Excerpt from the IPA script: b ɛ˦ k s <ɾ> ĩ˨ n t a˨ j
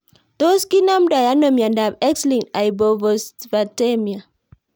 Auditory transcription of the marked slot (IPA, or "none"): l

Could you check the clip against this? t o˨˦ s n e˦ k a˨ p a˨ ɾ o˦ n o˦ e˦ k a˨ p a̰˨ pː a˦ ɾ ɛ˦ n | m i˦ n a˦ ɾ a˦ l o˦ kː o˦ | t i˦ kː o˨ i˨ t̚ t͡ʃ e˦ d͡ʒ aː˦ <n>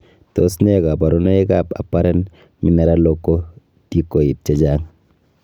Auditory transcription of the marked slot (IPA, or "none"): ŋ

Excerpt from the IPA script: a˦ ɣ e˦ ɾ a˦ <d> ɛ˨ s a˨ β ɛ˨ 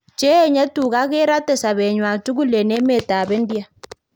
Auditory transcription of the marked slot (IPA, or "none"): t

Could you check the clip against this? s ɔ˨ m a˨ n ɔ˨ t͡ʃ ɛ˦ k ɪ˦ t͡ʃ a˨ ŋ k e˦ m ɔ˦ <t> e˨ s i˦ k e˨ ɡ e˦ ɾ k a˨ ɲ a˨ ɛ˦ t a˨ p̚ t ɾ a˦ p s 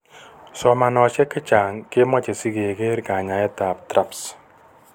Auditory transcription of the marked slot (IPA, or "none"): t͡ʃ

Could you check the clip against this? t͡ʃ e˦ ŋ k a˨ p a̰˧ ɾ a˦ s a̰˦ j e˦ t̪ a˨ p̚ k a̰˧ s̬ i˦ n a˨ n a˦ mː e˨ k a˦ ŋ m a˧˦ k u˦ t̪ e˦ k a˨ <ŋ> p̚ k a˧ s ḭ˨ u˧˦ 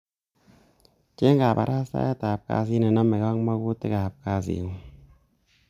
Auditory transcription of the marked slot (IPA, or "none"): none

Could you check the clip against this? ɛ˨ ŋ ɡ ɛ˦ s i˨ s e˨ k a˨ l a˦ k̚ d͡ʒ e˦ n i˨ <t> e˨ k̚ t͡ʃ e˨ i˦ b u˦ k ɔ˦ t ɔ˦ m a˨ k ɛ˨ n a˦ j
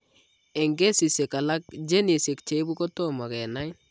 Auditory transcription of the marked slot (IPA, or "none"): s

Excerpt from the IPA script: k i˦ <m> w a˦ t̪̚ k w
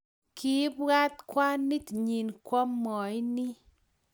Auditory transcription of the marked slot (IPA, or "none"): b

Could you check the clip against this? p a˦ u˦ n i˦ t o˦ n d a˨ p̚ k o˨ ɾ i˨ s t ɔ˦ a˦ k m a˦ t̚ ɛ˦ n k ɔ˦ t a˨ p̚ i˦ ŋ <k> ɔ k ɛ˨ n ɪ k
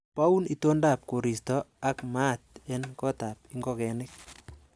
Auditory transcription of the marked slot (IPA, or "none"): ɡ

